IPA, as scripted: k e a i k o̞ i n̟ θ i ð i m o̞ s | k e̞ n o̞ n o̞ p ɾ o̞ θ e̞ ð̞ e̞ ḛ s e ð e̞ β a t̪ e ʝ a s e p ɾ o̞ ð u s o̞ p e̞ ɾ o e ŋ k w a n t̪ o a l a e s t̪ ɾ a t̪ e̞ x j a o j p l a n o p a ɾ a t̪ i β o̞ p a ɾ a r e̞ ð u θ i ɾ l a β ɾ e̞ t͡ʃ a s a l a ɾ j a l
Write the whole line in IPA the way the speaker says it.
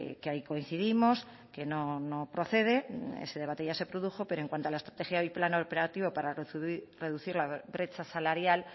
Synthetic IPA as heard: k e a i k o̞ i n̟ θ i ð i m o̞ s | k e̞ n o̞ n o̞ p ɾ o̞ θ e̞ ð̞ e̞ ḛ s e ð e̞ β a t̪ e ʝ a s e p ɾ o̞ ð u x o̞ p e̞ ɾ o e ŋ k w a n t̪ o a l a e s t̪ ɾ a t̪ e̞ x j a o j p l a n o p e ɾ a t̪ i β o̞ p a ɾ a r e̞ ð u θ i ɾ l a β ɾ e̞ t͡ʃ a s a l a ɾ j a l